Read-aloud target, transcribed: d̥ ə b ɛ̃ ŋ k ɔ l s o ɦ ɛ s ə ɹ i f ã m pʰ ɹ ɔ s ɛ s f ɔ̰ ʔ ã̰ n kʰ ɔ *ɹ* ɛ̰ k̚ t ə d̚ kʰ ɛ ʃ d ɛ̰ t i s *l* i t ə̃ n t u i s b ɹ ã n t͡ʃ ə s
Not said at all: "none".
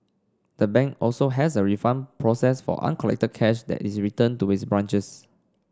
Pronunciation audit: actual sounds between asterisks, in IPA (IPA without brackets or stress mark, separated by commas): l, ɹ